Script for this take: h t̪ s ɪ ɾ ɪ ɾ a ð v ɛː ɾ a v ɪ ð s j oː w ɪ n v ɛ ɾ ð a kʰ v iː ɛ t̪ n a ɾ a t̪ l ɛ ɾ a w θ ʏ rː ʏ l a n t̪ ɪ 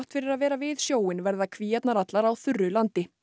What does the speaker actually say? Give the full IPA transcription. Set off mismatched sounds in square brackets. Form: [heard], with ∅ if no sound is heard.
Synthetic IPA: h t̪ [f] ɪ ɾ ɪ ɾ a ð v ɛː ɾ a v ɪ ð s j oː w ɪ n v ɛ ɾ ð a kʰ v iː ɛ t̪ n a ɾ a t̪ l [a] ɾ a w θ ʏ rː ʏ l a n t̪ ɪ

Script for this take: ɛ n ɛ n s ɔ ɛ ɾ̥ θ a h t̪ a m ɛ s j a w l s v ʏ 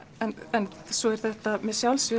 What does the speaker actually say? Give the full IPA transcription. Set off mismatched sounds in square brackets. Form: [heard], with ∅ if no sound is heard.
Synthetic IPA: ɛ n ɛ n s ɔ ɛ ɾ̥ θ [ɛ] h t̪ a m ɛ s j a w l s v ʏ

